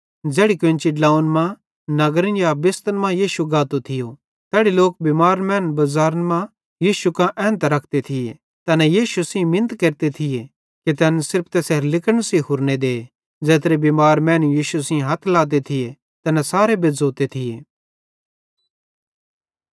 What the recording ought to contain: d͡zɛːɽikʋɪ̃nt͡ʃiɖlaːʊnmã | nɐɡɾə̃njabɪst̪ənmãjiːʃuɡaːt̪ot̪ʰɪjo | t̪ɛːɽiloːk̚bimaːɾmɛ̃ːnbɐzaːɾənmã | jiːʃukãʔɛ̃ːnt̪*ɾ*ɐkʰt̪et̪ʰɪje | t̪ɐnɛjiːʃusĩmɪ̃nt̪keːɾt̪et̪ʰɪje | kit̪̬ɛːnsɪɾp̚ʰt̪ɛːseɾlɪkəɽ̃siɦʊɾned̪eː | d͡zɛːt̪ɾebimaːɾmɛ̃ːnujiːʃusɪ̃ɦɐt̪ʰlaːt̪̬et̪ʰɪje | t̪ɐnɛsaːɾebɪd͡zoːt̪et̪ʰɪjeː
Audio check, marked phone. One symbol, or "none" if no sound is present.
ɾ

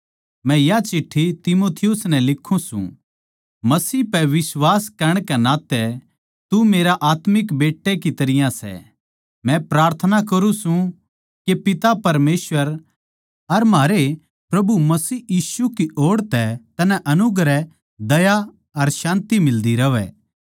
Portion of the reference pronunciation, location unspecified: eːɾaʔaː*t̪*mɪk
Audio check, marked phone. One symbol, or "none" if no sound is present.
t̪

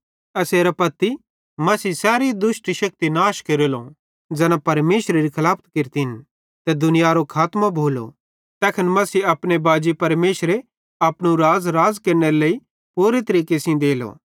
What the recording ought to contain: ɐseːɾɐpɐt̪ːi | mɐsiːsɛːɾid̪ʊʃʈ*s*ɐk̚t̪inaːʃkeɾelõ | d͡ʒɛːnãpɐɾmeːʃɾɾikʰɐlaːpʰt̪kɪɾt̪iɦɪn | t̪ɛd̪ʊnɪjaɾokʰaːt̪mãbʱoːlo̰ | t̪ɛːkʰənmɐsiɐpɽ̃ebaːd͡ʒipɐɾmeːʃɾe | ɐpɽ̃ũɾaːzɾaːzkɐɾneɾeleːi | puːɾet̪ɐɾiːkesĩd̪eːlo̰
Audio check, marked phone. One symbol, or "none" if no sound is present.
ʃ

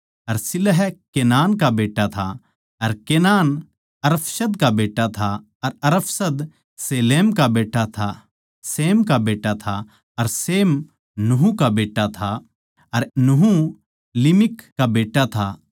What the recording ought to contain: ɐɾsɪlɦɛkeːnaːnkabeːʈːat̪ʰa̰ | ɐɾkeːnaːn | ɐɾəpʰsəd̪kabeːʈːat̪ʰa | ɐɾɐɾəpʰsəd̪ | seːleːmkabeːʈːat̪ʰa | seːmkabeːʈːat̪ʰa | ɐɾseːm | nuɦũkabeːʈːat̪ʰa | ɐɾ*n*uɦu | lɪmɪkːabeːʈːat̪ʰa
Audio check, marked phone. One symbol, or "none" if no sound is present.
n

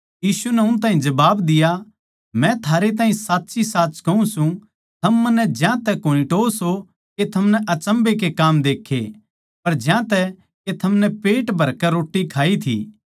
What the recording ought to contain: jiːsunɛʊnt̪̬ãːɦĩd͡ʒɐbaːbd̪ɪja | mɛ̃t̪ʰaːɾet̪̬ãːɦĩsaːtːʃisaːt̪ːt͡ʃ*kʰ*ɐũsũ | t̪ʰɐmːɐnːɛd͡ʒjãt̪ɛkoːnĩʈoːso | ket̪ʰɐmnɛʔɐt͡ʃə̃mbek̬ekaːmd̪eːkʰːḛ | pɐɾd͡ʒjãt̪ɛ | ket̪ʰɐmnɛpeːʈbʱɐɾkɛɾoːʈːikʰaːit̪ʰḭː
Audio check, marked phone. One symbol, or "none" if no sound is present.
k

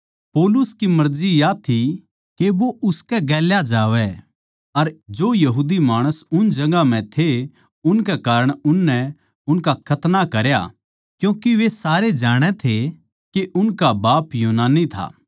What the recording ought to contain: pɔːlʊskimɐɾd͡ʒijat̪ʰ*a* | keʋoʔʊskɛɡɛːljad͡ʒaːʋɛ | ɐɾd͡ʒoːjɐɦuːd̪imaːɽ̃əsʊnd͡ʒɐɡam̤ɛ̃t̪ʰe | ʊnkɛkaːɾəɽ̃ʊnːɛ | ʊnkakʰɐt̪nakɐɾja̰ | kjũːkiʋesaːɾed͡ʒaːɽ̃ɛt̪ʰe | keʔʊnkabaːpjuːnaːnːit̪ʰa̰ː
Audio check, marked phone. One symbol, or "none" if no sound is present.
i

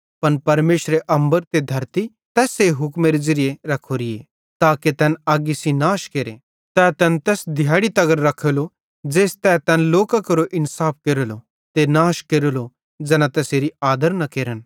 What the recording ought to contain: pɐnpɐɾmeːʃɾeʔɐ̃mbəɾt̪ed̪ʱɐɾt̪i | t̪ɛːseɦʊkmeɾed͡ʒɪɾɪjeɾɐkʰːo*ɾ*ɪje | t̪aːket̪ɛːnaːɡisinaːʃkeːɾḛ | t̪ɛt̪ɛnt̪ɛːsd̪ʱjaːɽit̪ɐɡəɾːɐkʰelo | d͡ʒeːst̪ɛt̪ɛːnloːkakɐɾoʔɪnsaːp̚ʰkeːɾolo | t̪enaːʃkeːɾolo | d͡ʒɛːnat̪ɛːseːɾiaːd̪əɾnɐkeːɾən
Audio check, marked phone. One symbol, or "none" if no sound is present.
ɾ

